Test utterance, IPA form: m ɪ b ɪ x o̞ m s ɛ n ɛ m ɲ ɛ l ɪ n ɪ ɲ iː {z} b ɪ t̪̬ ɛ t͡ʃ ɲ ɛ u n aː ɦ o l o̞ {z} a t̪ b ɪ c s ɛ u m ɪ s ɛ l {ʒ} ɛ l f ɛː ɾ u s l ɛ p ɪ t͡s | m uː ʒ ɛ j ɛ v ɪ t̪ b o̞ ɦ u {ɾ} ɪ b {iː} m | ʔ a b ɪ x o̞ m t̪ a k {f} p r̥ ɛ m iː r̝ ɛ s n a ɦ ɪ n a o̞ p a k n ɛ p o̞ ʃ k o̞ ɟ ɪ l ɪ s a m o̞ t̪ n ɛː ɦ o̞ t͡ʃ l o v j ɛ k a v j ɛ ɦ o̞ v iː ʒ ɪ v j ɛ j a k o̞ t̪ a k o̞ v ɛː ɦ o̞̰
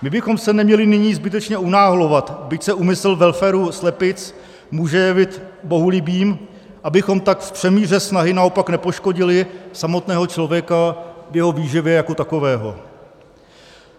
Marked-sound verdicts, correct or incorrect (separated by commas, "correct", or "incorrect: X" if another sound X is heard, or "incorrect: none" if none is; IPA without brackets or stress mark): correct, incorrect: v, incorrect: v, incorrect: l, correct, correct